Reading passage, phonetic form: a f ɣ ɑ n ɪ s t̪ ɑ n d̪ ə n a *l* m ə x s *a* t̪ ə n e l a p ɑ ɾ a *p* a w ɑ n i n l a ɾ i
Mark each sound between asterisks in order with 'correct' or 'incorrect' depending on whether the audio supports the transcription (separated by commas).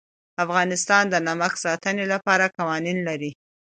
incorrect, incorrect, incorrect